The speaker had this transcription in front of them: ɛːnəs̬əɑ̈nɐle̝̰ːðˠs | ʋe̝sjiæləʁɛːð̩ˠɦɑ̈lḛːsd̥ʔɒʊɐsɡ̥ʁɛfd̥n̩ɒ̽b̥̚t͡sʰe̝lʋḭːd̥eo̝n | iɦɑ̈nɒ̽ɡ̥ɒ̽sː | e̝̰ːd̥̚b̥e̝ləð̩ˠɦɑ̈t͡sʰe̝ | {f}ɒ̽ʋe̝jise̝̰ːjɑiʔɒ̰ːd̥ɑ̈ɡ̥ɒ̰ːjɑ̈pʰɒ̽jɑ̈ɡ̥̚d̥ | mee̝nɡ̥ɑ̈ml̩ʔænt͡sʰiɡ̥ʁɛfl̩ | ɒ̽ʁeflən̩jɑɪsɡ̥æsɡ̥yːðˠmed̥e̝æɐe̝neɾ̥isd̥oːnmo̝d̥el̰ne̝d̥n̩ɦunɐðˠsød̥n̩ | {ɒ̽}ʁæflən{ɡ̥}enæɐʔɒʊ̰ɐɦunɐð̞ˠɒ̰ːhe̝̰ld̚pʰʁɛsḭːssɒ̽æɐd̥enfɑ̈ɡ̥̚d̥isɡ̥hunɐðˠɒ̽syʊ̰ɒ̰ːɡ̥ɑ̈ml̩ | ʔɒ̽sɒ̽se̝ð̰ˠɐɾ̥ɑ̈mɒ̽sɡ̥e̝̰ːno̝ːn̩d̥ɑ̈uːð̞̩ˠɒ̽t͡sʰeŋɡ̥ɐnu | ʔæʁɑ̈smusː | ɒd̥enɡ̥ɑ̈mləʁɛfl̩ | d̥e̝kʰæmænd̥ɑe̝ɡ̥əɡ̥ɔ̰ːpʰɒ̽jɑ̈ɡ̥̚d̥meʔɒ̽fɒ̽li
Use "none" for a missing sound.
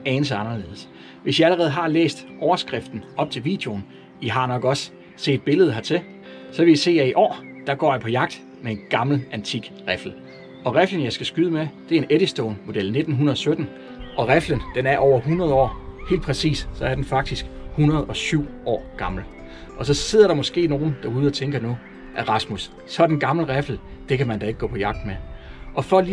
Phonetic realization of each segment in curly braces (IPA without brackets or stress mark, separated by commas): s, ɒ̽, d̥